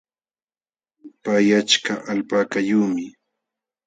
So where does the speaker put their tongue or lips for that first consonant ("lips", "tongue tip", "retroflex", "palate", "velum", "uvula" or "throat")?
lips